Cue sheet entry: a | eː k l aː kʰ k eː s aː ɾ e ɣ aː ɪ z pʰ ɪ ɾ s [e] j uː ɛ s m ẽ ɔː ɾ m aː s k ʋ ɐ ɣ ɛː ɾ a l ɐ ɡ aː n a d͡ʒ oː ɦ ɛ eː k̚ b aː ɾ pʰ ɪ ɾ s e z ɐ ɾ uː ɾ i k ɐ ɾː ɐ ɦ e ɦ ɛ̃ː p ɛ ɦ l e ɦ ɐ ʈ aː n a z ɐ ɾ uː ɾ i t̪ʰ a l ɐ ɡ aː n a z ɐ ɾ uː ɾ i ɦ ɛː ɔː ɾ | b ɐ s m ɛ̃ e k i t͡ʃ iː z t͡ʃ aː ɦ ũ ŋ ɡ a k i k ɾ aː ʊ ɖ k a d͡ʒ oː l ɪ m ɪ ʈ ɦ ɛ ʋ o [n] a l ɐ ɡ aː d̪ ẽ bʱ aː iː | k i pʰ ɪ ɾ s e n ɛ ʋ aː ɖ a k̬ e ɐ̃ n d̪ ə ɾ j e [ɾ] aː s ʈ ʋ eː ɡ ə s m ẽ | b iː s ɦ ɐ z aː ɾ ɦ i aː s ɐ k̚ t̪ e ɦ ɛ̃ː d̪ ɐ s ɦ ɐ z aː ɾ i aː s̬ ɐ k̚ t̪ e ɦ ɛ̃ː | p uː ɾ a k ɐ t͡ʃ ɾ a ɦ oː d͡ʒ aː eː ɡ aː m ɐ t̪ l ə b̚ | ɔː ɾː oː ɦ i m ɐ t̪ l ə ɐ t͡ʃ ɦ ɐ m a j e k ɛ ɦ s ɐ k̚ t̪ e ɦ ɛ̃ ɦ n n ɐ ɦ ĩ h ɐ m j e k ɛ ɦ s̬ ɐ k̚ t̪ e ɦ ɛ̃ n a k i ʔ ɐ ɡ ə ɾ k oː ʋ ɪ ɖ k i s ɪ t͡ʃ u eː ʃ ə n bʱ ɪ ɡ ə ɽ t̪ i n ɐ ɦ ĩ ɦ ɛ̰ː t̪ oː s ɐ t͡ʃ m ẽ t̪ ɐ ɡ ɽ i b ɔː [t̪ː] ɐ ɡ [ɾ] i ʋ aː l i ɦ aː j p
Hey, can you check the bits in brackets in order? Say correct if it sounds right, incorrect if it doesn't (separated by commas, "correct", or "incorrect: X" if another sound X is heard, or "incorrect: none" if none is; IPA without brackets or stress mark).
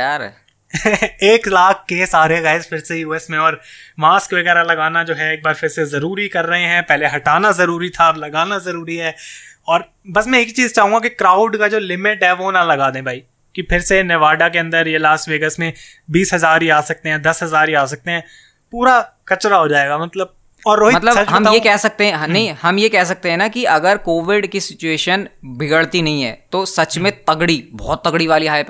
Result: correct, correct, incorrect: l, correct, incorrect: ɽ